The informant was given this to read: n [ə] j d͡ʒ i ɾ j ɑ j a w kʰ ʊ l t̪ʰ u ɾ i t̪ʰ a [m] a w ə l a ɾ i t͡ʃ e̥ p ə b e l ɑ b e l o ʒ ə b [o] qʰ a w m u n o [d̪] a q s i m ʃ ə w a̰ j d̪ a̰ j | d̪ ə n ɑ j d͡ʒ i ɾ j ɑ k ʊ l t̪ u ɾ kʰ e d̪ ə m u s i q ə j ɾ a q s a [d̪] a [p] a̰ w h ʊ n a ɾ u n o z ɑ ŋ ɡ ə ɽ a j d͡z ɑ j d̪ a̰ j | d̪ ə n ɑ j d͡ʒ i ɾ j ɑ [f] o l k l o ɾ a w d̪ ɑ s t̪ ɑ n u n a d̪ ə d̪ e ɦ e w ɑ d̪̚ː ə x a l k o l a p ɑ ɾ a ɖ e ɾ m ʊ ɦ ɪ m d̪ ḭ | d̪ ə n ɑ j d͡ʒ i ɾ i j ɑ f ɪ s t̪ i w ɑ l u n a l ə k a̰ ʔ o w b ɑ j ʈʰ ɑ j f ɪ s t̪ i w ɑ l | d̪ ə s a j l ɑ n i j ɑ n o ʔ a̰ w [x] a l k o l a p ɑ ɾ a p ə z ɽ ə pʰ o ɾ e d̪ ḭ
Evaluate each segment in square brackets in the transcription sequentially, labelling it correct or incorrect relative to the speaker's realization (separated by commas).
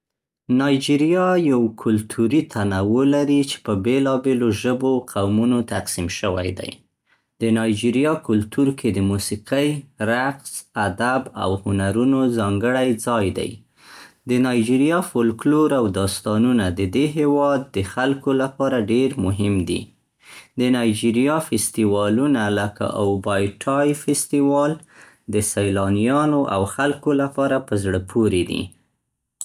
incorrect, incorrect, correct, incorrect, correct, incorrect, correct, correct